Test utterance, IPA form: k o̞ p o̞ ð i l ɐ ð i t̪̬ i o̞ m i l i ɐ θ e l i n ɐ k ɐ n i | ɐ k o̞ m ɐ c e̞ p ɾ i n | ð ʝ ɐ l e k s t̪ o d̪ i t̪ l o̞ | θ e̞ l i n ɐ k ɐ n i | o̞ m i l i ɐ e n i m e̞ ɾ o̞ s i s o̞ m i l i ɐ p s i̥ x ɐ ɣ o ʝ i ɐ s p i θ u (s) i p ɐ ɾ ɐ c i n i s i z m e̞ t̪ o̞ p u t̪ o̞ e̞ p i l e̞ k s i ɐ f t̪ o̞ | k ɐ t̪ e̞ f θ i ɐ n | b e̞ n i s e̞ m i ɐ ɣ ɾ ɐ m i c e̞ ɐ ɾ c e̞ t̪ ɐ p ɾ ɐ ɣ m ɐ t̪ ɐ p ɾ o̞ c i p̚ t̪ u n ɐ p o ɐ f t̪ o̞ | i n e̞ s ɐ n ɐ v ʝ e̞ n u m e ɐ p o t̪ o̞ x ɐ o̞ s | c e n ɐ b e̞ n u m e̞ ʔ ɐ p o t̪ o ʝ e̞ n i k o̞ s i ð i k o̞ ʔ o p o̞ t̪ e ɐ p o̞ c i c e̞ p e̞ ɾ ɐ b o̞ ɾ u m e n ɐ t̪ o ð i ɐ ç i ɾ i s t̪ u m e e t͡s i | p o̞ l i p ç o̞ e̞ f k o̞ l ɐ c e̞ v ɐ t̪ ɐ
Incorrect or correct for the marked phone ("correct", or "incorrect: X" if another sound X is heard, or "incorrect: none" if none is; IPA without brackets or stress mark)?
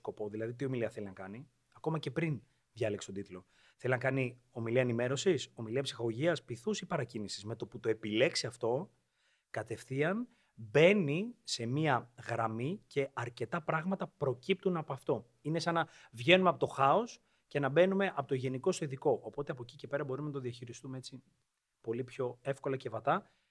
correct